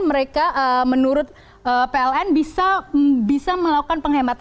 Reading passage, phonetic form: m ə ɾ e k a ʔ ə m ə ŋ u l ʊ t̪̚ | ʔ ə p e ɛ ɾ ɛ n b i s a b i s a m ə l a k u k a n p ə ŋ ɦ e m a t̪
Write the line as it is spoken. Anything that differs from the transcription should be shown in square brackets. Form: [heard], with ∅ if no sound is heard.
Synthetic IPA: m ə ɾ e k a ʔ ə m ə [n] u [ɾ] ʊ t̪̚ | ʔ ə p e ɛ [l] ɛ n b i s a b i s a m ə l a k u k a n p ə ŋ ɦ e m a t̪